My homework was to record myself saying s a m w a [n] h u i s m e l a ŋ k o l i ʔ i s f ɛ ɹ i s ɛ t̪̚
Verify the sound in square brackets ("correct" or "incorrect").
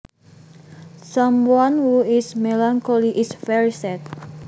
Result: correct